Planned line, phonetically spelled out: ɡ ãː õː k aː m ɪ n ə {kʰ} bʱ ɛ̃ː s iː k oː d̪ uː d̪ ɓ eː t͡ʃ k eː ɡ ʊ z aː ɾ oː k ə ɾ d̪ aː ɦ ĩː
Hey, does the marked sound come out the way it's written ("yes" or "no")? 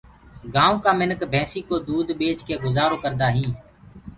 no